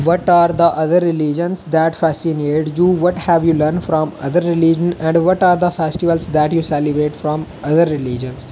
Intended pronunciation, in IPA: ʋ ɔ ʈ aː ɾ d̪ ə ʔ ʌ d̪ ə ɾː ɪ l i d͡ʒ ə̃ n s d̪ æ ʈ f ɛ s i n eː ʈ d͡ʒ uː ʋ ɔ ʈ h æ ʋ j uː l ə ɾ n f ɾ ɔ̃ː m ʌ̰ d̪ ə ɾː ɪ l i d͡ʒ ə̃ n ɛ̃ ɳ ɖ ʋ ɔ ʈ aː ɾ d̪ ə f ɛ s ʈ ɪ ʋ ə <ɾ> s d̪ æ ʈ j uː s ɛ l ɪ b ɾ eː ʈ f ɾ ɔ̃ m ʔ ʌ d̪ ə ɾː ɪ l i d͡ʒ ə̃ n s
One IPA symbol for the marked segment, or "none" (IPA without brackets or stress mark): l